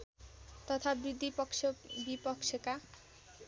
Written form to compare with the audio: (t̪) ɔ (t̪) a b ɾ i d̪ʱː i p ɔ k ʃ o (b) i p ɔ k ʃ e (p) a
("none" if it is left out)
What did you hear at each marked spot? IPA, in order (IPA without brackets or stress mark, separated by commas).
t̪, t̪ʰ, b, k